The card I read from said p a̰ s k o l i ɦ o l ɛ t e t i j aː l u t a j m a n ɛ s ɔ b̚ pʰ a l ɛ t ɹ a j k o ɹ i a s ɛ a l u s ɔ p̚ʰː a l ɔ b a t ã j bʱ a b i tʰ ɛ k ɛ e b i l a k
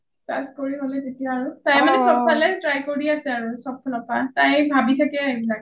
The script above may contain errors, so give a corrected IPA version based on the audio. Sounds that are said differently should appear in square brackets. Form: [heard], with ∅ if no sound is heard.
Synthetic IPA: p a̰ s k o [ɹ] i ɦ o l ɛ t e t i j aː [ɹ] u t a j m a n ɛ s ɔ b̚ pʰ a l ɛ t ɹ a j k o ɹ i a s ɛ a [ɹ] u s ɔ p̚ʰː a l ɔ [p] a t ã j bʱ a b i tʰ [a] k ɛ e b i l a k